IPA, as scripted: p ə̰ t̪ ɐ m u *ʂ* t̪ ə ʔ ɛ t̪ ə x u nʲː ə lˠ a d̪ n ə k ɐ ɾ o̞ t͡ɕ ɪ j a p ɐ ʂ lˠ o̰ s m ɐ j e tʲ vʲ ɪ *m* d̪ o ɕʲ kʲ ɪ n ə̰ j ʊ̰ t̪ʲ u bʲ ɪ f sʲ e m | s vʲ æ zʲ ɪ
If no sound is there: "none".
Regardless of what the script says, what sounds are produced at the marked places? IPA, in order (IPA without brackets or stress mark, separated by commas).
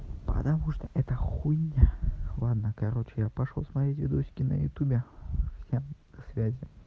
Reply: ʂ, none